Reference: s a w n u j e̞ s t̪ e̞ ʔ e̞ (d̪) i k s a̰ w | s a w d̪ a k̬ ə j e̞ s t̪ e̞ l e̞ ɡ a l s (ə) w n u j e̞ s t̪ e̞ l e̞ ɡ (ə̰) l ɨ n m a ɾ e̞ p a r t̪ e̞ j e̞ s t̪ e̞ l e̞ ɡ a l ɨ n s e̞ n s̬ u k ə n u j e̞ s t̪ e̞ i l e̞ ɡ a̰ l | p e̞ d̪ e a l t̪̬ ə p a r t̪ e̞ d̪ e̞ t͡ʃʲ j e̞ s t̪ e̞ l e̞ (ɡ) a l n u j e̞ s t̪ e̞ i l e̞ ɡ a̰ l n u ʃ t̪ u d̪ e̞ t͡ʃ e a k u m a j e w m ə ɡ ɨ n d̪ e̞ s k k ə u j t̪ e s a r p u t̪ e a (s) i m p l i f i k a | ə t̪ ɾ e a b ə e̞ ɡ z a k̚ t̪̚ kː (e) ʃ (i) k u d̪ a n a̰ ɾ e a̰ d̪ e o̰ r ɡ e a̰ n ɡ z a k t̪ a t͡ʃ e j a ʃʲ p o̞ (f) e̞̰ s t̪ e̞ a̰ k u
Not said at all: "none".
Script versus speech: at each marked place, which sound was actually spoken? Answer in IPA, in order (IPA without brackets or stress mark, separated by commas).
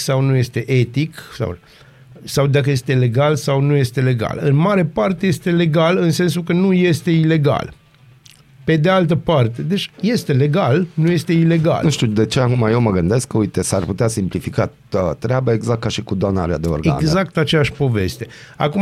t̪, a, a̰, ɡ, s, a, i, v